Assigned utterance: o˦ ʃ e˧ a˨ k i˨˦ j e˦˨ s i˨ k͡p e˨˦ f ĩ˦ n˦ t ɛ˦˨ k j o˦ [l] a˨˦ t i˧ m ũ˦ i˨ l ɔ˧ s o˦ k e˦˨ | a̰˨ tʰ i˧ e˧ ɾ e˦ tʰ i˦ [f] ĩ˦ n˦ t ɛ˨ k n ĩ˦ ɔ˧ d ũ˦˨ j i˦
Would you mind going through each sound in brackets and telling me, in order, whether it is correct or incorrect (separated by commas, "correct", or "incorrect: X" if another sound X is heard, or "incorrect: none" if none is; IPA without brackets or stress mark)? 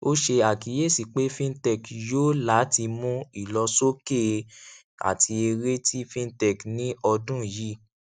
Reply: correct, correct